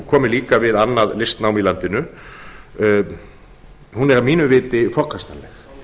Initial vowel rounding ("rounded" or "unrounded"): rounded